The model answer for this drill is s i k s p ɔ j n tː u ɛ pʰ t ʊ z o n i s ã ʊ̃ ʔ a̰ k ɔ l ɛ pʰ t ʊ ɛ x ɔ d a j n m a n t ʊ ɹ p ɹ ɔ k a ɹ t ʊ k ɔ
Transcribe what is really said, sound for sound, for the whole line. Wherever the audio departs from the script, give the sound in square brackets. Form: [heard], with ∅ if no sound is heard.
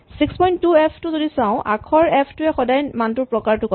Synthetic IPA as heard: s i k s p ɔ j n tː u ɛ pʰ t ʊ z o [d] i s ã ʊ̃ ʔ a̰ [kʰ] ɔ [ɹ] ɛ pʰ t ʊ ɛ x ɔ d a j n m a n t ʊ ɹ p ɹ ɔ k a ɹ t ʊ k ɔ